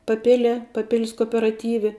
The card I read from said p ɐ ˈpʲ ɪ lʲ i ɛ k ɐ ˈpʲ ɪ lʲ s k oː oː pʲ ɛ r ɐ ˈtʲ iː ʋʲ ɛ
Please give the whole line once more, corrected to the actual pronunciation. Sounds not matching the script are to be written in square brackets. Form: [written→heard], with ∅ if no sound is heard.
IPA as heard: p ɐ ˈpʲ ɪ lʲ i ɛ [k→p] ɐ ˈpʲ ɪ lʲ s k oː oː pʲ ɛ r ɐ ˈtʲ iː ʋʲ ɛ